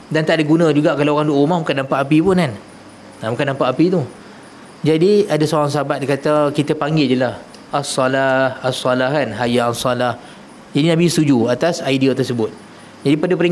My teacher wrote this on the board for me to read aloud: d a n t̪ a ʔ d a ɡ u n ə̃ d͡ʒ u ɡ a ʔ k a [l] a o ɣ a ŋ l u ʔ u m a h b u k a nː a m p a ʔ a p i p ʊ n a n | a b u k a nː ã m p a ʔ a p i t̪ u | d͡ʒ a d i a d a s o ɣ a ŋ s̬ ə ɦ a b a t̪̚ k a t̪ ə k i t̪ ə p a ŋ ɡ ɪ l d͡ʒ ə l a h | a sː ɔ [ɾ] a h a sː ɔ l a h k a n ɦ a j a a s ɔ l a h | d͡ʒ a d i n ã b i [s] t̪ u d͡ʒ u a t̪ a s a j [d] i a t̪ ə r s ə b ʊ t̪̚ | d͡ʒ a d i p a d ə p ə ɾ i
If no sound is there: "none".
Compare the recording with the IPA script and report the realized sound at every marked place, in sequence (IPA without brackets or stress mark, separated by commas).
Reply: l, l, s, d